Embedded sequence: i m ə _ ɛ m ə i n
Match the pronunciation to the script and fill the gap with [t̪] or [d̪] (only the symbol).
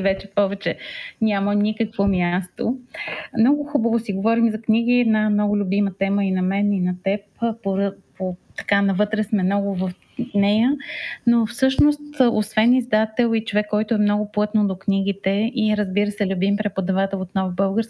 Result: t̪